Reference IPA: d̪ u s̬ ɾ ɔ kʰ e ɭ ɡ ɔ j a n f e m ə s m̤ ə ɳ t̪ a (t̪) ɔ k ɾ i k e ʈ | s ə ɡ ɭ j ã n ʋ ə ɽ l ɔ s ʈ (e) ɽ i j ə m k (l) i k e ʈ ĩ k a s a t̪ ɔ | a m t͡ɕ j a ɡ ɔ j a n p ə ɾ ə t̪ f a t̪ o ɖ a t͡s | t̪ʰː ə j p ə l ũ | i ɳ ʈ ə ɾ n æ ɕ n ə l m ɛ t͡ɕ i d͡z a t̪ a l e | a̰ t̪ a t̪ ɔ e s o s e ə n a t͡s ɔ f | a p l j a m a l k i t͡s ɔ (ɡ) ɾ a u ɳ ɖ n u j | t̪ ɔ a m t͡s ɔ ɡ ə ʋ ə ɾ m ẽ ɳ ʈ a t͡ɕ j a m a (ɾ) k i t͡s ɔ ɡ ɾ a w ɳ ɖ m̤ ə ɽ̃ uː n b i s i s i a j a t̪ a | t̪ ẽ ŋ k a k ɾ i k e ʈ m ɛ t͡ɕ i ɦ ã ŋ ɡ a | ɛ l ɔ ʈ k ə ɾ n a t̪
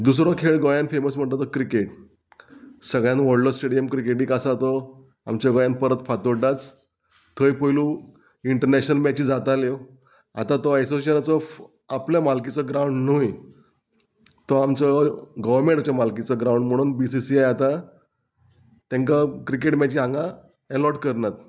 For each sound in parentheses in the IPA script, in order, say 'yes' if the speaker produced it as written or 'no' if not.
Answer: yes, yes, no, yes, no

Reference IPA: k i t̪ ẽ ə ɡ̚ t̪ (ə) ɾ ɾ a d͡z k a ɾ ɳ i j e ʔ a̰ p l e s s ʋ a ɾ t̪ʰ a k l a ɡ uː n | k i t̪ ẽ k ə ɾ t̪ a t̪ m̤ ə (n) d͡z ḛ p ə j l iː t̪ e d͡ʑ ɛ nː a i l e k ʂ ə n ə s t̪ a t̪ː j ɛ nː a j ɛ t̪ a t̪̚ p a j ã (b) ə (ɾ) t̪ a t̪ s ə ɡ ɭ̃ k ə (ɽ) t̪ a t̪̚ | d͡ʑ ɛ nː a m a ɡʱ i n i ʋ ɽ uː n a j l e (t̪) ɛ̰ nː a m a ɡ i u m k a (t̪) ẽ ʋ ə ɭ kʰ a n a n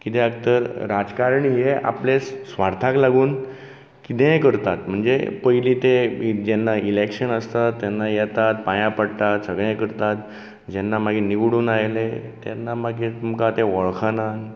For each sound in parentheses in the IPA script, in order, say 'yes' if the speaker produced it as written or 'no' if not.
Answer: yes, no, no, no, no, yes, yes

